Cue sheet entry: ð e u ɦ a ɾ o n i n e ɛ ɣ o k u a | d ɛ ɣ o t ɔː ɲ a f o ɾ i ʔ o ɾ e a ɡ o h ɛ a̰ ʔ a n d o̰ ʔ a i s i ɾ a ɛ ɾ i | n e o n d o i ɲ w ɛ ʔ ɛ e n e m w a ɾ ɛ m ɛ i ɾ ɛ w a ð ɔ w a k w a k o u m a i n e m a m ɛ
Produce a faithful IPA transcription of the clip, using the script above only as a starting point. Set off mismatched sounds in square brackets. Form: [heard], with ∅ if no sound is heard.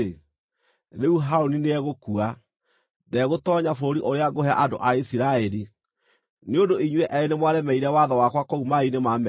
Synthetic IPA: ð e u ɦ a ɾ o n i n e ɛ ɣ o k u a | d ɛ ɣ o t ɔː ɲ a f o ɾ i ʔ o ɾ e a ɡ o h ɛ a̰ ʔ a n d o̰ ʔ a i s i ɾ a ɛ ɾ i | n e o n d o i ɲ w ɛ ʔ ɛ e n e m w a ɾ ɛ m ɛ i ɾ ɛ w a ð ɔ w a k w a k o u m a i n e m a m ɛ